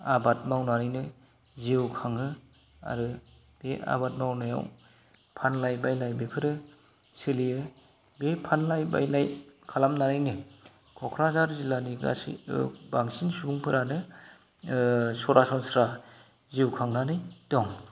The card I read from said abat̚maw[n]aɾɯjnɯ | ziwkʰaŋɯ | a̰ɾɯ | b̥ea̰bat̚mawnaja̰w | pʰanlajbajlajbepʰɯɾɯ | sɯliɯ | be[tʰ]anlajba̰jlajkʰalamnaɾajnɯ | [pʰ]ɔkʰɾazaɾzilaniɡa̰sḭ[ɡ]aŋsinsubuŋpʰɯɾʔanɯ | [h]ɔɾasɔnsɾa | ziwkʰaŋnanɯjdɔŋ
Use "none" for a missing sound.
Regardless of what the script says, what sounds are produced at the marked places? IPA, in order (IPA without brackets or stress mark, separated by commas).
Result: n, pʰ, kʰ, b, s